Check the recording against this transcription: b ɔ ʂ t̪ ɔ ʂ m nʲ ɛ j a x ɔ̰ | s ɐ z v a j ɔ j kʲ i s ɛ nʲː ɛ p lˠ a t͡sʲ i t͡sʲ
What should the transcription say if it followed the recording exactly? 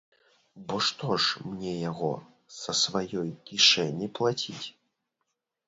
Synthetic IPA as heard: b ɔ ʂ t̪ ɔ ʂ m nʲ ɛ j a ɣ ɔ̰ | s ɐ s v a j ɔ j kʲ i ʂ ɛ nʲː i p lˠ a t͡sʲ i t͡sʲ